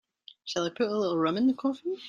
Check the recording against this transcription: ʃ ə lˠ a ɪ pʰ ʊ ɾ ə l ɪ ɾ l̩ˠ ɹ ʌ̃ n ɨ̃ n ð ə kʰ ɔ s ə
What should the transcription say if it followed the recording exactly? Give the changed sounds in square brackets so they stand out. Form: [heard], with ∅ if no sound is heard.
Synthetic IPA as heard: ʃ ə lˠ a ɪ pʰ ʊ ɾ ə l ɪ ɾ l̩ˠ ɹ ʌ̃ [m] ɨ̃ n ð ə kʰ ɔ [f] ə